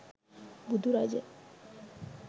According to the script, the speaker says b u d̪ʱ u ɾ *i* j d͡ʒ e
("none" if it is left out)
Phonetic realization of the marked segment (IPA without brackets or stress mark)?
a